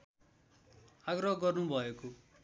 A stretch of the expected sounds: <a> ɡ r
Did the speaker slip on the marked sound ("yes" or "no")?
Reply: no